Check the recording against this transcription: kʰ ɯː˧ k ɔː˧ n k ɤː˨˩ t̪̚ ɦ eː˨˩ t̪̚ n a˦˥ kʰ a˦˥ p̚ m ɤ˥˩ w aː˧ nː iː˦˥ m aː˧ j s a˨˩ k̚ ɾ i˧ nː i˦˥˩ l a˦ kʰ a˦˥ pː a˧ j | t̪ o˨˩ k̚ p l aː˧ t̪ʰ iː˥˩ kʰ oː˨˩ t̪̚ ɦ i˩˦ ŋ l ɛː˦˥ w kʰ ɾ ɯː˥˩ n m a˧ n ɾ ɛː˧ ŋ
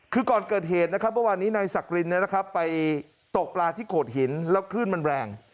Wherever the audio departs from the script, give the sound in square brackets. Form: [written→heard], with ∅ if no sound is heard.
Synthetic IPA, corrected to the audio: kʰ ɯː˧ k [ɔː˧→ɔː˨˩] n k ɤː˨˩ t̪̚ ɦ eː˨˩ t̪̚ n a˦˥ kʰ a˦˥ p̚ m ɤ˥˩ w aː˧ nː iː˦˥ [m→n] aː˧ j s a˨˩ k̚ ɾ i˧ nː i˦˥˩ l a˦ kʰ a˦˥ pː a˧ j | t̪ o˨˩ k̚ p l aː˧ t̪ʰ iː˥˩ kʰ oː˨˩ t̪̚ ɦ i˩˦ [ŋ→n] l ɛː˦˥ w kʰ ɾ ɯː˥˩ n m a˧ n ɾ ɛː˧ ŋ

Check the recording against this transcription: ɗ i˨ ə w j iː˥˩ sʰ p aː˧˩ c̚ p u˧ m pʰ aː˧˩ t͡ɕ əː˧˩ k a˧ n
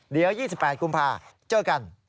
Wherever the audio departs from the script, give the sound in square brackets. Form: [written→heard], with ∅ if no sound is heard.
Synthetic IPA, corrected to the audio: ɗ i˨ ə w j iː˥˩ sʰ p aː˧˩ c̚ [p→k] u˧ m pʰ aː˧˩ t͡ɕ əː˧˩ k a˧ n

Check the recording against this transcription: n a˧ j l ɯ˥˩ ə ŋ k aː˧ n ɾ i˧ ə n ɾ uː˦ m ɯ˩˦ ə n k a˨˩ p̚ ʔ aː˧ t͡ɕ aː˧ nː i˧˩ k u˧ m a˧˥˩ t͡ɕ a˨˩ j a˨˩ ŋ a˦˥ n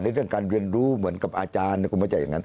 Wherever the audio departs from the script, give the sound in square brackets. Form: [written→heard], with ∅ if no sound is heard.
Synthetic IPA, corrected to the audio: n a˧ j [l→ɾ] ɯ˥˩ ə ŋ k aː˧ n ɾ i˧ ə n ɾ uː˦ m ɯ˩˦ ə n k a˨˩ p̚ ʔ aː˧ t͡ɕ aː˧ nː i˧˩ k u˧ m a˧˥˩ t͡ɕ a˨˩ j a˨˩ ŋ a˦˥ n

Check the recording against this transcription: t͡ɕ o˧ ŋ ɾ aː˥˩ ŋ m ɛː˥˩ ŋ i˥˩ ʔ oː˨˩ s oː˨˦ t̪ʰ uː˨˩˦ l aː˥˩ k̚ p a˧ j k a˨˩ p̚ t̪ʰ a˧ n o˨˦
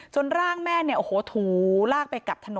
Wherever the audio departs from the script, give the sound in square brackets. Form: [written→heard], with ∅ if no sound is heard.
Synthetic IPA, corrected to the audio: t͡ɕ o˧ [ŋ→n] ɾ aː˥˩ ŋ m ɛː˥˩ [ŋ→n] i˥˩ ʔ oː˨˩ [s→h] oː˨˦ t̪ʰ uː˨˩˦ l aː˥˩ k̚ p a˧ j k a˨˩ p̚ t̪ʰ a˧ n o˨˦

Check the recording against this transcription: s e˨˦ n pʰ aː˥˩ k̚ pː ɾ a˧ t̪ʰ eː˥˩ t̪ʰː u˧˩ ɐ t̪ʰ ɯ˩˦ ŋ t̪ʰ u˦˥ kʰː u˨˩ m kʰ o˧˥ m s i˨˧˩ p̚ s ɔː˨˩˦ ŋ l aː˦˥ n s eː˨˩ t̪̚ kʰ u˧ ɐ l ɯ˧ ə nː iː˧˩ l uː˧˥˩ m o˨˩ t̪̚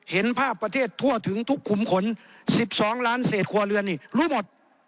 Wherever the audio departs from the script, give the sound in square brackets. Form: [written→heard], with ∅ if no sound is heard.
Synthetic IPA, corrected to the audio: [s→h] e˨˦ n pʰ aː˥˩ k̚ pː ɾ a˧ t̪ʰ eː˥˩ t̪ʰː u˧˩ ɐ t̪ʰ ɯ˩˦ ŋ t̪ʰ u˦˥ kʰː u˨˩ m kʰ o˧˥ [m→n] s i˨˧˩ p̚ s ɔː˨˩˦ ŋ l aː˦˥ n s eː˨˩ t̪̚ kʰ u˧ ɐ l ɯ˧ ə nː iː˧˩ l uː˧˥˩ m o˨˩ t̪̚

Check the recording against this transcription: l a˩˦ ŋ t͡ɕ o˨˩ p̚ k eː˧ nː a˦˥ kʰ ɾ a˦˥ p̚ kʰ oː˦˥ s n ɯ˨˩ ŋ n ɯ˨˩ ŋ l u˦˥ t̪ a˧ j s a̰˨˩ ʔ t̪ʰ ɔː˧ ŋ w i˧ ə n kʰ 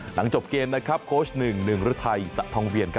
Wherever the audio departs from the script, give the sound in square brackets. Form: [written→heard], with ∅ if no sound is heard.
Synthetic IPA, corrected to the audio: l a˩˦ ŋ t͡ɕ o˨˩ p̚ k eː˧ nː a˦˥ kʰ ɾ a˦˥ p̚ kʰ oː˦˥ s n ɯ˨˩ ŋ n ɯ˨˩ ŋ [l→ɾ] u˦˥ [t̪→t̪ʰ] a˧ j s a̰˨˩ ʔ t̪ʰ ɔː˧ ŋ w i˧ ə n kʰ

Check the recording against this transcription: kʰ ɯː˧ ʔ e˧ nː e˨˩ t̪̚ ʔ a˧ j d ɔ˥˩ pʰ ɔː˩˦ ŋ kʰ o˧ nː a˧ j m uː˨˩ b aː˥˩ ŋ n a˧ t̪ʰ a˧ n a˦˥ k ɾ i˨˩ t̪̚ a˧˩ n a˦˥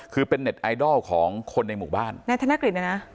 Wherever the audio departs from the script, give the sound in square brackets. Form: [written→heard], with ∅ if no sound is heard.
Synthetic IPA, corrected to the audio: kʰ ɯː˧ [ʔ→p] e˧ nː e˨˩ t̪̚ ʔ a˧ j d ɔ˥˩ [pʰ→kʰ] ɔː˩˦ ŋ kʰ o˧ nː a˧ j m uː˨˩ b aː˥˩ [ŋ→n] n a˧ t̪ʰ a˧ n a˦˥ k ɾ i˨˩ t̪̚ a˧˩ n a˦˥

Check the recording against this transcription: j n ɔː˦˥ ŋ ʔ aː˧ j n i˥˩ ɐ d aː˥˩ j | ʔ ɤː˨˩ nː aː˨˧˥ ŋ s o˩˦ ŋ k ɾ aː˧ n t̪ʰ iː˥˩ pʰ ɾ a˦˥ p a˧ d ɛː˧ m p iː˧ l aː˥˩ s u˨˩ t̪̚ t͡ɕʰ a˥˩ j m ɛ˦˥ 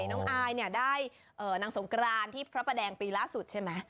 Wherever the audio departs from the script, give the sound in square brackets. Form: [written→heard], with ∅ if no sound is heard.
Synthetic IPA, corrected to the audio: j n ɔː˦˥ ŋ ʔ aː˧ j n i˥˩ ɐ d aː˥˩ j | ʔ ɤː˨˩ [nː→n] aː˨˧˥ ŋ s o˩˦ ŋ k ɾ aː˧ n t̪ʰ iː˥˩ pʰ ɾ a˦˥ p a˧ d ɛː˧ [m→ŋ] p iː˧ l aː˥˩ s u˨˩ t̪̚ t͡ɕʰ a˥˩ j m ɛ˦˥

